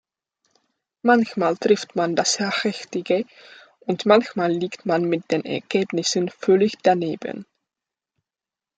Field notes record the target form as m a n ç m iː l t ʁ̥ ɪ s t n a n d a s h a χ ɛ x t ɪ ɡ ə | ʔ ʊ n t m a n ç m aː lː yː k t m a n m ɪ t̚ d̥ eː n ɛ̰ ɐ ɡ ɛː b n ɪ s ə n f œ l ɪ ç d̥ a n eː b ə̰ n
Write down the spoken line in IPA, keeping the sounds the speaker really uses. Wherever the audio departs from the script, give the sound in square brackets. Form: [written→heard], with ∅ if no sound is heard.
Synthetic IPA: m a n ç m [iː→aː] l t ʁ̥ ɪ [s→f] t [n→m] a n d a s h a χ ɛ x t ɪ ɡ ə | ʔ ʊ n t m a n ç m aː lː [yː→iː] k t m a n m ɪ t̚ d̥ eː n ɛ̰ ɐ ɡ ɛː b n ɪ s ə n f œ l ɪ ç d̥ a n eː b ə̰ n